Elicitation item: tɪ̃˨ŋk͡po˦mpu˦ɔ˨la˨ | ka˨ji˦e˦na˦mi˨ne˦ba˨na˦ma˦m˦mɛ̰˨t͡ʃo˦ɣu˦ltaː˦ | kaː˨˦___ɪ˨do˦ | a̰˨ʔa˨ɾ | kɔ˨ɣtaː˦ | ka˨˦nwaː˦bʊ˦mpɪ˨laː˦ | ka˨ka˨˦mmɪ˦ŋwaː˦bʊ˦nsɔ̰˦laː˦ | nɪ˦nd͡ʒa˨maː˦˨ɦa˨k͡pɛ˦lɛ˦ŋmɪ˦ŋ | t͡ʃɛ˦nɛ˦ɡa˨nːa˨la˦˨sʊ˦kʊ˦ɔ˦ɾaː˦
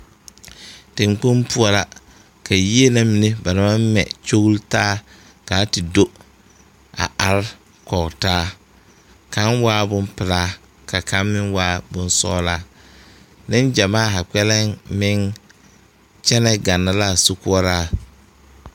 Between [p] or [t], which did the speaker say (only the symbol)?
t